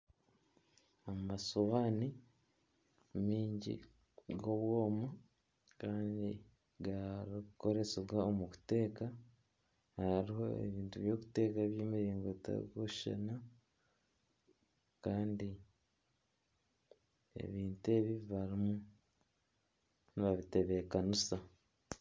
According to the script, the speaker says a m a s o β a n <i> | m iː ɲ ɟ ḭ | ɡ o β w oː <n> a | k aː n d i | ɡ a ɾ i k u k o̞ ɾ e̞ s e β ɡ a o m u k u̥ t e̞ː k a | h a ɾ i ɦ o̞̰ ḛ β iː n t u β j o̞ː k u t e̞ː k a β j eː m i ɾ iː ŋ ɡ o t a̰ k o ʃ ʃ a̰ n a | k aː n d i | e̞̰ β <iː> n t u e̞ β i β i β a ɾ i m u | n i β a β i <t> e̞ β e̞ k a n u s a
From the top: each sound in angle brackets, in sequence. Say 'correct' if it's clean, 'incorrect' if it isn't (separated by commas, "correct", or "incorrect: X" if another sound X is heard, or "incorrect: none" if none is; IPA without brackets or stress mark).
correct, incorrect: m, correct, correct